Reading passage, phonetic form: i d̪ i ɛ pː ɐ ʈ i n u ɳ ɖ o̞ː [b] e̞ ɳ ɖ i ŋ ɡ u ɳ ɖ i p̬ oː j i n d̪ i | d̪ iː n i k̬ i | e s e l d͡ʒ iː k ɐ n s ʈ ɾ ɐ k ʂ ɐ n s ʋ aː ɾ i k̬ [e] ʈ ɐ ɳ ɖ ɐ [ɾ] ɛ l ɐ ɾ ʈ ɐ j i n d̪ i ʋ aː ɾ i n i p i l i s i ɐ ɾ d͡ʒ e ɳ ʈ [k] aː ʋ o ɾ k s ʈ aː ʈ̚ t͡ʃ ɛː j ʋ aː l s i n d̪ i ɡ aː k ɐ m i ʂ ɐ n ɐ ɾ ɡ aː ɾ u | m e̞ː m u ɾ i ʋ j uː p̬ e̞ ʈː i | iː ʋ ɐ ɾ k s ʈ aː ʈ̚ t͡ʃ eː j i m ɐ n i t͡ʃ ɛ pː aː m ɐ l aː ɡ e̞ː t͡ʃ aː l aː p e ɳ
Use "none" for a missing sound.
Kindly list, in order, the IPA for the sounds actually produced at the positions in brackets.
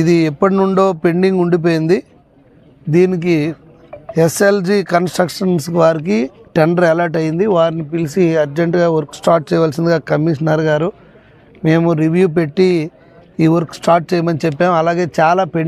p, i, ɾ, ɡ

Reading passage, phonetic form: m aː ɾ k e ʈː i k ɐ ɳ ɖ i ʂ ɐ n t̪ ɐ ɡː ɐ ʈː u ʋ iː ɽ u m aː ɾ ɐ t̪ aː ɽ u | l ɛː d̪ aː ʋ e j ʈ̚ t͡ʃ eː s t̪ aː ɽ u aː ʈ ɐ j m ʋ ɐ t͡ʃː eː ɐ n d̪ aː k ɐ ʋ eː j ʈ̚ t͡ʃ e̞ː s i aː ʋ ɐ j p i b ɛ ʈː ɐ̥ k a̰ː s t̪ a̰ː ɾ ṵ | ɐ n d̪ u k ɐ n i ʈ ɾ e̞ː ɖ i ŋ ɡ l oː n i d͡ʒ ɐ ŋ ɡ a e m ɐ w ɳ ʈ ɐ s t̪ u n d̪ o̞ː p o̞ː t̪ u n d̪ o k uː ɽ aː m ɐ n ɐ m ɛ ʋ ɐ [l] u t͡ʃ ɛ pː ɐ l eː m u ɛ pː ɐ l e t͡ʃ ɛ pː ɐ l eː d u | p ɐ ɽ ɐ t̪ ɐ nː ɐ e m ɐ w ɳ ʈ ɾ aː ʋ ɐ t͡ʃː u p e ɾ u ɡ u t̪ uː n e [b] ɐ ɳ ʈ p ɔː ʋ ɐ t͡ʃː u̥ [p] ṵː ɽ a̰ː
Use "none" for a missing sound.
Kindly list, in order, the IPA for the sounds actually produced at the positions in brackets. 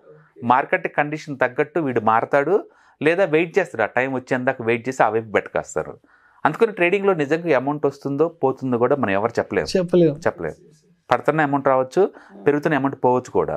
ɾ, m, k

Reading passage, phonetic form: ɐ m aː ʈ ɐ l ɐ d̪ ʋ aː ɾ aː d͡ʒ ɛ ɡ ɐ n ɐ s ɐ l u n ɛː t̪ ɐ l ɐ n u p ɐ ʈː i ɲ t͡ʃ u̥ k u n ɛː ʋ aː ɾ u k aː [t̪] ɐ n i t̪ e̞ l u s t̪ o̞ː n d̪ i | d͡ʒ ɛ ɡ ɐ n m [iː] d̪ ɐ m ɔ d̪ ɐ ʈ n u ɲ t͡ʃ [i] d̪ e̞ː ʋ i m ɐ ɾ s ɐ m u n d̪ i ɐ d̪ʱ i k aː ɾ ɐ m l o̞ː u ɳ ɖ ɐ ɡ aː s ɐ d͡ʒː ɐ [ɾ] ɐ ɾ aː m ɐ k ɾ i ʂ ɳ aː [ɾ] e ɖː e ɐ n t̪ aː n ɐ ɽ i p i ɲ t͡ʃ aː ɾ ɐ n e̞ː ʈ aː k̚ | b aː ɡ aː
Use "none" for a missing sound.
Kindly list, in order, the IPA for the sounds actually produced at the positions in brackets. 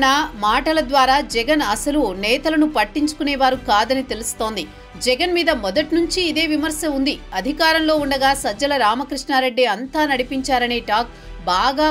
d̪, iː, iː, l, ɾ

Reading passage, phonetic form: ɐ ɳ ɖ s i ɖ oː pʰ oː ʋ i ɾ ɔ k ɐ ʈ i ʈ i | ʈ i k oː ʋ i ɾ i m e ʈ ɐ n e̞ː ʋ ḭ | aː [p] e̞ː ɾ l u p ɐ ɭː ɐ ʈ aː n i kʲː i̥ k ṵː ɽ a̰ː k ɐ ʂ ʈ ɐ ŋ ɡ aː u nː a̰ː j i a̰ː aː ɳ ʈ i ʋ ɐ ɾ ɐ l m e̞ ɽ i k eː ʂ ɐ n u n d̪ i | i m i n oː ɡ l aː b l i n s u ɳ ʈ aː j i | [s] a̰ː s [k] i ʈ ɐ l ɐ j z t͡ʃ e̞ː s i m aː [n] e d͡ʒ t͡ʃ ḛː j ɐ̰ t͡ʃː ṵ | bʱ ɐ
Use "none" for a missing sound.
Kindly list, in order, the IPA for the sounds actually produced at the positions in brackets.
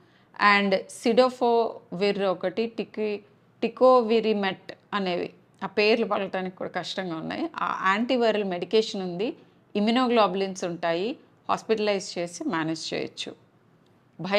p, h, p, n

